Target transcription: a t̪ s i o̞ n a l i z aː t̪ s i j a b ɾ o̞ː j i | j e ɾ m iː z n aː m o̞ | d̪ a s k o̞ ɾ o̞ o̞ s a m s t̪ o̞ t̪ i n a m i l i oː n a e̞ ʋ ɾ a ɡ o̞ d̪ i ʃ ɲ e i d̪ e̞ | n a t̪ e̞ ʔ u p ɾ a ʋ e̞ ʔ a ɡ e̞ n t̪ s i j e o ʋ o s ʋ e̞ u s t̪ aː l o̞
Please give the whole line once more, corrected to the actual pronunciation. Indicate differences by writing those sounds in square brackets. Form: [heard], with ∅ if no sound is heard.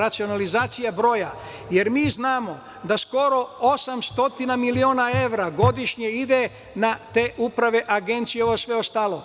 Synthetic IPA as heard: a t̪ s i o̞ n a l i z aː t̪ s i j a b ɾ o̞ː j [a] | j e ɾ m iː z n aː m o̞ | d̪ a s k o̞ ɾ o̞ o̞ s a m s t̪ o̞ t̪ i n a m i l i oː n a e̞ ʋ ɾ a ɡ o̞ d̪ i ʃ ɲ e i d̪ e̞ | n a t̪ e̞ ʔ u p ɾ a ʋ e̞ ʔ a ɡ e̞ n t̪ s i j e o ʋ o s ʋ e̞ [o] s t̪ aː l o̞